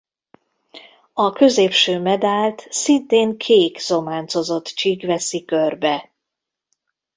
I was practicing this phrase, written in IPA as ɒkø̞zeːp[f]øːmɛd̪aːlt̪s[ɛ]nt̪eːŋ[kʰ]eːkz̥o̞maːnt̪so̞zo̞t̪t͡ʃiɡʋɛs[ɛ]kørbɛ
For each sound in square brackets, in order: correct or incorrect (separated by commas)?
incorrect, incorrect, correct, incorrect